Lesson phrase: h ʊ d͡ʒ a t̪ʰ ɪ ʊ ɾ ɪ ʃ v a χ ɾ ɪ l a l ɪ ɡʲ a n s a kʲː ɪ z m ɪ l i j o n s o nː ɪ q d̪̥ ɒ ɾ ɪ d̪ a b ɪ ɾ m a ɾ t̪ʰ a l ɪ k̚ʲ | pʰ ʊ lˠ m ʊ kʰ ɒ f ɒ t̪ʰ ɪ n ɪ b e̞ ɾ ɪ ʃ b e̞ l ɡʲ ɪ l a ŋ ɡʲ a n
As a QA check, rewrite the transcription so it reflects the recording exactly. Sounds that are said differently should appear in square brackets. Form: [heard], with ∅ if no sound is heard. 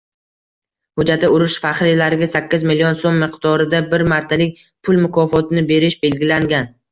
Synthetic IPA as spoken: h ʊ d͡ʒ a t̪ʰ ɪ ʊ ɾ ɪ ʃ [f] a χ ɾ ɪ l a [ɾ] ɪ ɡʲ a [∅] s a kʲː ɪ z m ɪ l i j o n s o [mː] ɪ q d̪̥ ɒ ɾ ɪ d̪ a b ɪ ɾ m a ɾ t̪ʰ a l ɪ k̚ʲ | pʰ ʊ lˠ m ʊ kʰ ɒ f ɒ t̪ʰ ɪ n ɪ b e̞ ɾ ɪ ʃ b e̞ l ɡʲ ɪ l a ŋ ɡʲ a n